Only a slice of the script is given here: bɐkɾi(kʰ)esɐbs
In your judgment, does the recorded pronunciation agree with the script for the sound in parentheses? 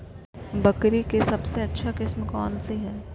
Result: no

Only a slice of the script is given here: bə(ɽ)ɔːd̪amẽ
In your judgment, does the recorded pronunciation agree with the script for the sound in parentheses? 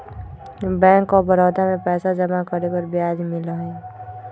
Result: no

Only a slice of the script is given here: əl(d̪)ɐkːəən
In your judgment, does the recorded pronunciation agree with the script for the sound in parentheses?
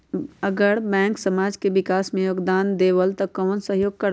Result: no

